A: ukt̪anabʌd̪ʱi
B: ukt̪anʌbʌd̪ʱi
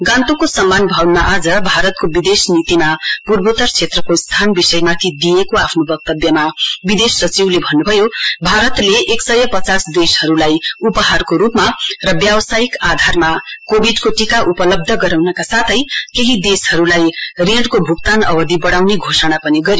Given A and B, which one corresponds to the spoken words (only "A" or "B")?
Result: B